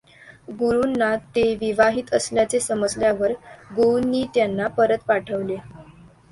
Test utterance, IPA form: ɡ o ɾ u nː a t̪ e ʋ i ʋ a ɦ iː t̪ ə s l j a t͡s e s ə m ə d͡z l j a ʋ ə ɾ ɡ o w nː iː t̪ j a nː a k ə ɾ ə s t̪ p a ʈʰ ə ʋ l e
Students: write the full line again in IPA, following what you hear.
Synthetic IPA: ɡ u ɾ u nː a t̪ e ʋ i ʋ a ɦ iː t̪ ə s l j a t͡s e s ə m ə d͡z l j a ʋ ə ɾ ɡ o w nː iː t̪ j a nː a p ə ɾ ə t̪ p a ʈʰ ə ʋ l e